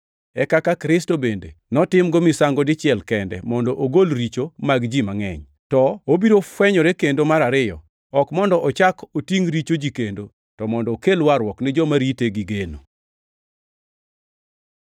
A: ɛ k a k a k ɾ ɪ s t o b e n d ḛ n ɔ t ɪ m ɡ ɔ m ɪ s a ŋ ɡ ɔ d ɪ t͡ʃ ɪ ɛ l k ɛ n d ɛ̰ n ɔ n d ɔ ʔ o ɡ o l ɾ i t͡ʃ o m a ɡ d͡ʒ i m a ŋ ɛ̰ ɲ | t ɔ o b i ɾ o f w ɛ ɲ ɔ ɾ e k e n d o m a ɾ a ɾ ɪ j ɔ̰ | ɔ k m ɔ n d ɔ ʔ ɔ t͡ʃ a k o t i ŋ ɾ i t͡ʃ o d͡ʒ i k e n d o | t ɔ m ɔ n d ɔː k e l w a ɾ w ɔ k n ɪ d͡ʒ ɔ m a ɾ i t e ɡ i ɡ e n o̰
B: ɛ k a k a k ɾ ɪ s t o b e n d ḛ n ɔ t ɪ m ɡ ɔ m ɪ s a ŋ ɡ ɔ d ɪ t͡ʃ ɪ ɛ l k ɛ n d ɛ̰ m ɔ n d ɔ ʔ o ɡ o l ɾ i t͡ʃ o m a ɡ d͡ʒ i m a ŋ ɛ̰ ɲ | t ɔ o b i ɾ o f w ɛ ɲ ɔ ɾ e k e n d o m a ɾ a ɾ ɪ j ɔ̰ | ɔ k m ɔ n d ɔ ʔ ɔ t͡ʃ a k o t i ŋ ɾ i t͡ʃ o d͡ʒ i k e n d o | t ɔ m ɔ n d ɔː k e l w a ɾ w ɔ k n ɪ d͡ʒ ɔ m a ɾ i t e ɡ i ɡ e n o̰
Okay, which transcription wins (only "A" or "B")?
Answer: B